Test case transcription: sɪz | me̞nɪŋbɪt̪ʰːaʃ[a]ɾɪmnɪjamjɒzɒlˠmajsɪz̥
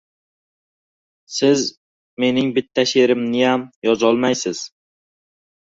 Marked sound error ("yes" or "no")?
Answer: yes